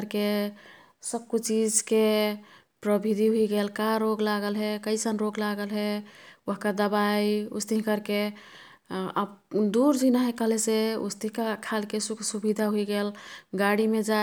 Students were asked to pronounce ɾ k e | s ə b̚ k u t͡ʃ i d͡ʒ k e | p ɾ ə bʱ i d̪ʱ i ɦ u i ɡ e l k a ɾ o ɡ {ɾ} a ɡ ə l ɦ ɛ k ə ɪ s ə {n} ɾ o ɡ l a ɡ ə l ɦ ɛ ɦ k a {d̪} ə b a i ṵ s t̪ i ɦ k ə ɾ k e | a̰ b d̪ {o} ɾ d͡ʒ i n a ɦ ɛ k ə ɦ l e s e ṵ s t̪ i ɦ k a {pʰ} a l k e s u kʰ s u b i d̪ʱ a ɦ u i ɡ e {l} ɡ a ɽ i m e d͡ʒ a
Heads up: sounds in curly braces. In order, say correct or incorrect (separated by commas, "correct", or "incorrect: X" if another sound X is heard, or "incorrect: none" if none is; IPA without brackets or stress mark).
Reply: incorrect: l, correct, correct, incorrect: u, incorrect: kʰ, correct